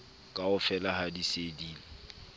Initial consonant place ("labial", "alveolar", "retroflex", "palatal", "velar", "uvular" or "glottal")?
velar